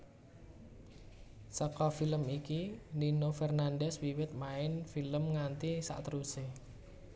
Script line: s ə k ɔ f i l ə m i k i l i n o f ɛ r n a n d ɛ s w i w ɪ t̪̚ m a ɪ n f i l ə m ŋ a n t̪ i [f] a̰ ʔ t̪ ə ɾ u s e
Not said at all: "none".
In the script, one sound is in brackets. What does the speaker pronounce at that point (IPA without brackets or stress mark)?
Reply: s